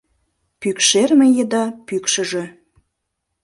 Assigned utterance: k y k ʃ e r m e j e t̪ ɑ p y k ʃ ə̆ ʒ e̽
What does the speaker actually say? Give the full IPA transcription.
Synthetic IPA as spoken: p y k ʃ e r m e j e d̪ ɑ p y k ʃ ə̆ ʒ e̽